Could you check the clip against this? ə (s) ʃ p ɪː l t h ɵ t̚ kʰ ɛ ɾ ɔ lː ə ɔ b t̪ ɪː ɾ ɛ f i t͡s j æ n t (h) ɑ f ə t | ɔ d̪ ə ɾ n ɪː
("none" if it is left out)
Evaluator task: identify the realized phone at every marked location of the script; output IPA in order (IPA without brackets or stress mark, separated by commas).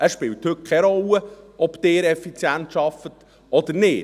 s, ʃ